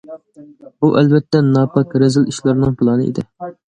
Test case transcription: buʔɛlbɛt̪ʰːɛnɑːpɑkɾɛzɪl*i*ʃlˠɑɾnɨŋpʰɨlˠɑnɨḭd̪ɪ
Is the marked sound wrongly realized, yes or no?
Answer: no